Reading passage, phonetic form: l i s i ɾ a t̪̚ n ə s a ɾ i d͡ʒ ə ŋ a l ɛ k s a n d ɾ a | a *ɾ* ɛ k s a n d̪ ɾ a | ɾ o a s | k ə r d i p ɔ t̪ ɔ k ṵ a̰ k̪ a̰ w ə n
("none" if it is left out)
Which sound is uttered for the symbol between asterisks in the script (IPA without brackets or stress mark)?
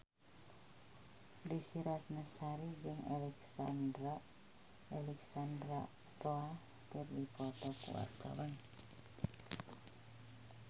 l